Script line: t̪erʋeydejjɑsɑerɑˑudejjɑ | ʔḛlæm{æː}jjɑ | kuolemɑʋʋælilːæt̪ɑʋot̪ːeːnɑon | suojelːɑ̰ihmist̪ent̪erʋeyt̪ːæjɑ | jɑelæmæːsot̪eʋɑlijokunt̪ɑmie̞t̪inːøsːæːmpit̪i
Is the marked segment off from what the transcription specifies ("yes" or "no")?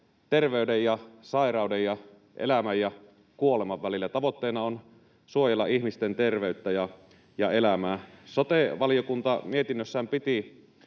yes